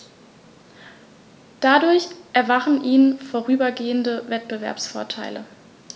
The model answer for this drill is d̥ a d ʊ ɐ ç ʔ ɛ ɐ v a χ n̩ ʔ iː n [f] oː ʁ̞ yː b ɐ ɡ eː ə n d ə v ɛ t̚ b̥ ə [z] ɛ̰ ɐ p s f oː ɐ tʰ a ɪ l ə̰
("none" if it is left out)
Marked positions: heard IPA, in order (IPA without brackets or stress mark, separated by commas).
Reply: f, v